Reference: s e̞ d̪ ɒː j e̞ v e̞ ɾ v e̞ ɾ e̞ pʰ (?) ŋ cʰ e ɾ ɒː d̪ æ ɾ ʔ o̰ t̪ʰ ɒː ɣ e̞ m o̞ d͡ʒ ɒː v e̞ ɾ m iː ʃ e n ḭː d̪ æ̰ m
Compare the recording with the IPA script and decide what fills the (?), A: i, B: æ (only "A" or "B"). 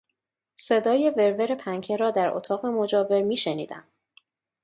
B